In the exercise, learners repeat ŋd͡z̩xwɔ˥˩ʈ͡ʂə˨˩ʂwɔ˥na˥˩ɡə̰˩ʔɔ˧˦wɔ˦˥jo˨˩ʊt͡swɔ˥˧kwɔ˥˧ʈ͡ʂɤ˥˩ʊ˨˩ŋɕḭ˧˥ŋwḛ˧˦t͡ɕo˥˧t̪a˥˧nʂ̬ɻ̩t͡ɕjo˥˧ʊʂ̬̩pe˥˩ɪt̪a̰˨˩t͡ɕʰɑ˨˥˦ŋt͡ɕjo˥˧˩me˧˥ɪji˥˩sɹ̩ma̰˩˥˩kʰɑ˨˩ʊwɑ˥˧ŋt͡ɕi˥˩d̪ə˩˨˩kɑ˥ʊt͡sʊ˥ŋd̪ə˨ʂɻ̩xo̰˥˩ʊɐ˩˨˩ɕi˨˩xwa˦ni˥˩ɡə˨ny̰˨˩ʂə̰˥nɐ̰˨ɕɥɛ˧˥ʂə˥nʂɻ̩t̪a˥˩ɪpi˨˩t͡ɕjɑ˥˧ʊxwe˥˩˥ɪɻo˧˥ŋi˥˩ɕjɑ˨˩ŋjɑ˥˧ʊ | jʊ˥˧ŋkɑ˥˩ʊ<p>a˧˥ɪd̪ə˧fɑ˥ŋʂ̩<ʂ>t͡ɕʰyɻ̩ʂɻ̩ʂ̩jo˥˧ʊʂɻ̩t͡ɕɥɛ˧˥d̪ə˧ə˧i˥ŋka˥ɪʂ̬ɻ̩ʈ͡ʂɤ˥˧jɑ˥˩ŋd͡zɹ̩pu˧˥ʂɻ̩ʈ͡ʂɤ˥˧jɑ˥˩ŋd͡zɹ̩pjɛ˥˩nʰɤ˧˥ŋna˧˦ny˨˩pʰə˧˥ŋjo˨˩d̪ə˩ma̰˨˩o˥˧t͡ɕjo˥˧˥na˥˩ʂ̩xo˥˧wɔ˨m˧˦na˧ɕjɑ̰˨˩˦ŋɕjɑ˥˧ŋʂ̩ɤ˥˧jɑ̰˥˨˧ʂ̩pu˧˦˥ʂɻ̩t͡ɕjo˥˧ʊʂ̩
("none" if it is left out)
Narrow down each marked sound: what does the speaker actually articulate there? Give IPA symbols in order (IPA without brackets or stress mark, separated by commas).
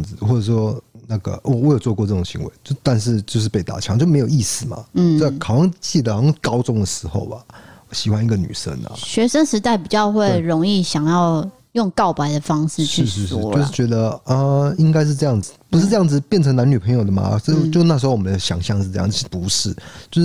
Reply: p, ʂ